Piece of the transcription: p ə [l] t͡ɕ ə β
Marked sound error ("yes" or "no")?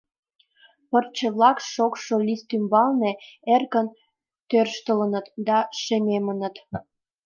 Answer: yes